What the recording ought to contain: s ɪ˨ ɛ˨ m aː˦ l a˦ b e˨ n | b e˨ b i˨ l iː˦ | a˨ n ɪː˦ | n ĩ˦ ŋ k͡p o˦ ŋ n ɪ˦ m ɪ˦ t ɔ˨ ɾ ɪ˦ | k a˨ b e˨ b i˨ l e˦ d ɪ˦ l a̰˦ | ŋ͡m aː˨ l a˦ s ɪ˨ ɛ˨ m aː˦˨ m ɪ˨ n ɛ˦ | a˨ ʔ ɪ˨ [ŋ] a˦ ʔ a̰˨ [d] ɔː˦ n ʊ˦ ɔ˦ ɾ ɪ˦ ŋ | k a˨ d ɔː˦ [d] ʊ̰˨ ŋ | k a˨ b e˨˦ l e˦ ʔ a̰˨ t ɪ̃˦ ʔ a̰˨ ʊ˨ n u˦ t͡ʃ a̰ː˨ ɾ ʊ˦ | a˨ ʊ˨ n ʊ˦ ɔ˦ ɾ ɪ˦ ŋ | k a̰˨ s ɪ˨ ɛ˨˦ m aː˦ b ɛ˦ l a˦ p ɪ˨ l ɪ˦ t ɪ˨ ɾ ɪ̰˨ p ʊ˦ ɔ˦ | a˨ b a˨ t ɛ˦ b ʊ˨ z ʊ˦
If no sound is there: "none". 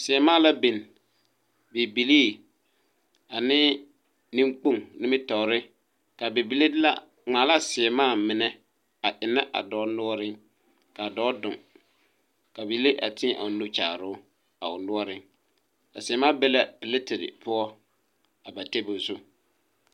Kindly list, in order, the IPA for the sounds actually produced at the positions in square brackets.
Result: n, d, d

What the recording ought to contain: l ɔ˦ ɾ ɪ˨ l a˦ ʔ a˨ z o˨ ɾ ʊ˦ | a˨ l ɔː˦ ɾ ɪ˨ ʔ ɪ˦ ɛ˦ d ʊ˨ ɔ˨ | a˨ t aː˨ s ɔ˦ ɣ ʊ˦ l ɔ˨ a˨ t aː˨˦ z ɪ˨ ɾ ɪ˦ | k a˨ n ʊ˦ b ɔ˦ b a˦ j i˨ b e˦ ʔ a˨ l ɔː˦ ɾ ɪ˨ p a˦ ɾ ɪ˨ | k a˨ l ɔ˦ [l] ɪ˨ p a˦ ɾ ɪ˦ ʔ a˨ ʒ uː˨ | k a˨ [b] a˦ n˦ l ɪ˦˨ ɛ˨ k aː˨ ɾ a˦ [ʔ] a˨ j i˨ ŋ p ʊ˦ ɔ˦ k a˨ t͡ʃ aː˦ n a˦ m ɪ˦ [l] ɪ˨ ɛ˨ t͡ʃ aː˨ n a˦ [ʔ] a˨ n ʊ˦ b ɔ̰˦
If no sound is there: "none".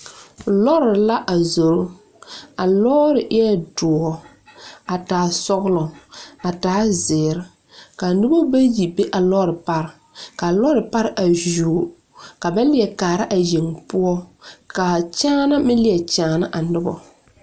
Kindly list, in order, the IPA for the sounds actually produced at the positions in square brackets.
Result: ɾ, b, ʔ, l, ʔ

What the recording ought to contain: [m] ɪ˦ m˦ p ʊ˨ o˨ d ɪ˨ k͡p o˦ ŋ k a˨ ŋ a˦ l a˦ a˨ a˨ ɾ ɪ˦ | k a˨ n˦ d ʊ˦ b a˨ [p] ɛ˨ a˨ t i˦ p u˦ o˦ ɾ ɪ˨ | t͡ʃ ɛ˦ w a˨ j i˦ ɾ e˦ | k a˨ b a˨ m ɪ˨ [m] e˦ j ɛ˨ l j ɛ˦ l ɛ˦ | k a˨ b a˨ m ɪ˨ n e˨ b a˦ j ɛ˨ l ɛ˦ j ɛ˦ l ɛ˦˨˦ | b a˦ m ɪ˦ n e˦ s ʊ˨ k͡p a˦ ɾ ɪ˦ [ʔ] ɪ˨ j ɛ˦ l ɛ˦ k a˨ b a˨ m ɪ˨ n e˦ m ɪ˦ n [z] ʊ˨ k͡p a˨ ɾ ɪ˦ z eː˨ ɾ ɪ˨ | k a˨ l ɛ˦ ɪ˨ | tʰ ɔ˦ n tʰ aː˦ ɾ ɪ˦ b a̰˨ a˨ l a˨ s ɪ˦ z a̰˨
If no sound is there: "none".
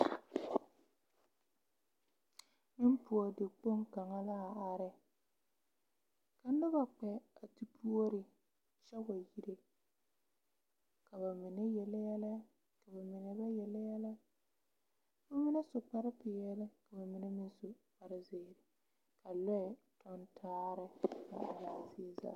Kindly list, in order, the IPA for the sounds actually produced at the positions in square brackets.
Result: m, k͡p, n, p, s

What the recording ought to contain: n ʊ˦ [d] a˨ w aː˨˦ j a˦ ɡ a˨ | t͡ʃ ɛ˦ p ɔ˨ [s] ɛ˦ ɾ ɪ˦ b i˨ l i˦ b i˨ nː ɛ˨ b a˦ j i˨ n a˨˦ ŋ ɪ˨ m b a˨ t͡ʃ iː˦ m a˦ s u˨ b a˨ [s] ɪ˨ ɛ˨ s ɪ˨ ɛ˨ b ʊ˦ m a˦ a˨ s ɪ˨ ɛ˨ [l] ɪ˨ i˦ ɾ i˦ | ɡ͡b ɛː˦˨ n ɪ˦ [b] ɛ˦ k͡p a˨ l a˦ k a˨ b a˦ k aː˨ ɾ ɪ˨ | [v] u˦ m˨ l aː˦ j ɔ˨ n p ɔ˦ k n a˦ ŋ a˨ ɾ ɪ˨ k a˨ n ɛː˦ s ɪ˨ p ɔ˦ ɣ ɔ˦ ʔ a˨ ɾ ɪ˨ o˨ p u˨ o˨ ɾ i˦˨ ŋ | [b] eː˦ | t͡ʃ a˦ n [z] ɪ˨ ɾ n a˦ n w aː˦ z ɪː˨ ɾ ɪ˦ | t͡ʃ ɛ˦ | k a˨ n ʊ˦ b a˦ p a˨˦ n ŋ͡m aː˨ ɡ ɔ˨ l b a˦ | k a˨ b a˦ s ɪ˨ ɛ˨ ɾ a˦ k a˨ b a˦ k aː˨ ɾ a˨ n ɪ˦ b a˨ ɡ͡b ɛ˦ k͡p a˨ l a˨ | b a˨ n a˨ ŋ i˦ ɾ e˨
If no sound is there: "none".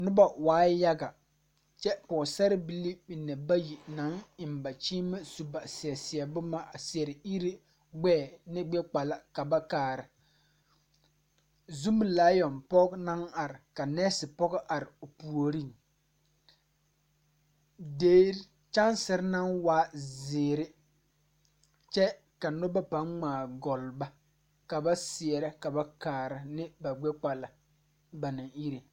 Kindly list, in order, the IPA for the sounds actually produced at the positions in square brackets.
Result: b, s, s, ɾ, ɡ͡b, z, d, s

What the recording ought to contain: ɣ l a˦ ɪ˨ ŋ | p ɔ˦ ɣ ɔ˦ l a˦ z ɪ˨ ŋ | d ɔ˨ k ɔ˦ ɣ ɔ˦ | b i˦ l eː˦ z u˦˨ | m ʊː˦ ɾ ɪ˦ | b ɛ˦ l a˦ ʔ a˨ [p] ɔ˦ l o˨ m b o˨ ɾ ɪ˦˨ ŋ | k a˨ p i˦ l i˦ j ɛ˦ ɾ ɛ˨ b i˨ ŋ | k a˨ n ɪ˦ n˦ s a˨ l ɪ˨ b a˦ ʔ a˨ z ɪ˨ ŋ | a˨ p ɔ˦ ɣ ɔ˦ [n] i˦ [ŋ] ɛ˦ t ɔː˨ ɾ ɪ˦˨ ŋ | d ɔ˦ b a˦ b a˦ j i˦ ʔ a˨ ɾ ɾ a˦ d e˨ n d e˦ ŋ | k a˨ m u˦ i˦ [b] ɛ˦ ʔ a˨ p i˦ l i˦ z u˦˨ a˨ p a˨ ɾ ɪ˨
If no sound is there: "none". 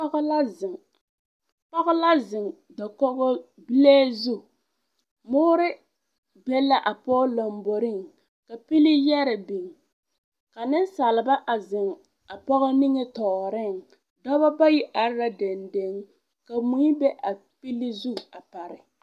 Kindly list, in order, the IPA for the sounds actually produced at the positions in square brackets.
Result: p, n, ŋ, b

